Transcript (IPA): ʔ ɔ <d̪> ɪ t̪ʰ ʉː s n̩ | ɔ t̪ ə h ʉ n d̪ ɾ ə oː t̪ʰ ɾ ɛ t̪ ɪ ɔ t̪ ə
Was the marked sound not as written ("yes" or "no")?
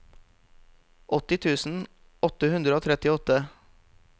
yes